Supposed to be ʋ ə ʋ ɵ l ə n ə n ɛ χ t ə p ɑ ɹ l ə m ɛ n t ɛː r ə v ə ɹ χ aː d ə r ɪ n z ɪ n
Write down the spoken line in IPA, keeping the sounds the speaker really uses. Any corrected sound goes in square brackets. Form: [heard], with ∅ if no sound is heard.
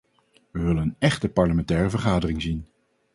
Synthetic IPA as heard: ʋ ə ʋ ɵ l ə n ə n ɛ χ t ə p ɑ ɹ l ə m ɛ n t ɛː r ə v ə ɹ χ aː d ə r ɪ [ŋ] z [i] n